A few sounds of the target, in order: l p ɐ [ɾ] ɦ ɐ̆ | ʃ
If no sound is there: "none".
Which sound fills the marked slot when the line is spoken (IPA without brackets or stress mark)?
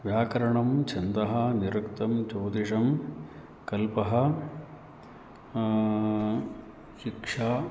none